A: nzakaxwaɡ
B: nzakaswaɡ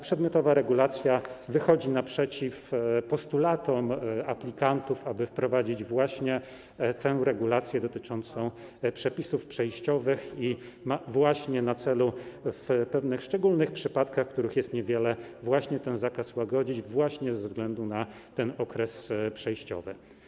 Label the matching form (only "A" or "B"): B